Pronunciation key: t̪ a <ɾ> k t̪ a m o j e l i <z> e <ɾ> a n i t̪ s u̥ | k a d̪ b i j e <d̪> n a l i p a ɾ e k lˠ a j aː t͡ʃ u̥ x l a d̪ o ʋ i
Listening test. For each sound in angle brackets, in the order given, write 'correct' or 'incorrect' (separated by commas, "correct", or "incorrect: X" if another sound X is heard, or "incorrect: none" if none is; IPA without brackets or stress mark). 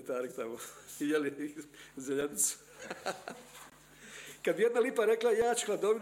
correct, correct, incorrect: ʎ, correct